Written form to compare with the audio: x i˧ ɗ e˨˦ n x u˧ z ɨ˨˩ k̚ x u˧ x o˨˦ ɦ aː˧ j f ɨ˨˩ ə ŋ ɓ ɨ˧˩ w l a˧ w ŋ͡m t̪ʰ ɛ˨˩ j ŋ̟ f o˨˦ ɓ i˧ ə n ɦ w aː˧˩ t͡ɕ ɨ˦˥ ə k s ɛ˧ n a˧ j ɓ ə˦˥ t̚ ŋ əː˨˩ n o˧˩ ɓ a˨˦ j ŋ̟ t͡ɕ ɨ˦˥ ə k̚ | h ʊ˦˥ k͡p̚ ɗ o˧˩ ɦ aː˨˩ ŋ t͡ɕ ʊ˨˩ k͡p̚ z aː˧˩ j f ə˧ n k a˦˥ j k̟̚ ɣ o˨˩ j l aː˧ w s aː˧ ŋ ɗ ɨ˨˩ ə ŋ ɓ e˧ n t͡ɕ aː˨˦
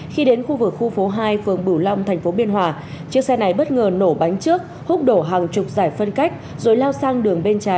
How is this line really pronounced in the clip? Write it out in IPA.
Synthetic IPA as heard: x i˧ ɗ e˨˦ n x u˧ v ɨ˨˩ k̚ x u˧ f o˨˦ ɦ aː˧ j f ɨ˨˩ ə ŋ ɓ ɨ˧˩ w l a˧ w ŋ͡m t̪ʰ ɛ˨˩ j ŋ̟ f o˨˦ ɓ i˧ ə n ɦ w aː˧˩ t͡ɕ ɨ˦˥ ə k s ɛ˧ n a˨˩ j ɓ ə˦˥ t̚ ŋ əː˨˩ n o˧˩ ɓ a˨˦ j ŋ̟ t͡ɕ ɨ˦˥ ə k̚ | h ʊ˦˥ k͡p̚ ɗ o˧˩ ɦ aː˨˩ ŋ t͡ɕ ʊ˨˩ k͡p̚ z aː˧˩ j f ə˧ n k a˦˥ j k̟̚ z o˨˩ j l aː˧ w s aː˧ ŋ ɗ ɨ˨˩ ə ŋ ɓ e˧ n t͡ɕ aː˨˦